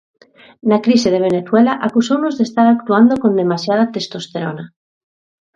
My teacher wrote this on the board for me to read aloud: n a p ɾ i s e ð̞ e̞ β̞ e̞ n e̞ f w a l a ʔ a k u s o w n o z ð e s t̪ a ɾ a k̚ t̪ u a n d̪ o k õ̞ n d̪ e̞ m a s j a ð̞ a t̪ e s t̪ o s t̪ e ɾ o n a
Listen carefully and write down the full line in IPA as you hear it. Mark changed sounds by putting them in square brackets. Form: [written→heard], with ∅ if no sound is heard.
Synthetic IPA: n a [p→k] ɾ i s e ð̞ e̞ β̞ e̞ n e̞ [f→θ] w [a→e] l a ʔ a k u s o w n o z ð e s t̪ a ɾ a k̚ t̪ u a n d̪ o k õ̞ n d̪ e̞ m a s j a ð̞ a t̪ e s t̪ o s t̪ e ɾ o n a